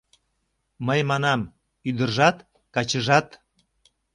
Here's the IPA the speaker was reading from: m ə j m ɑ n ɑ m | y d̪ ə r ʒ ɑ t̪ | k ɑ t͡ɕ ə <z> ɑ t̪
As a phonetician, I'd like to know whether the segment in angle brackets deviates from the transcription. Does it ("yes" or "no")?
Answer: yes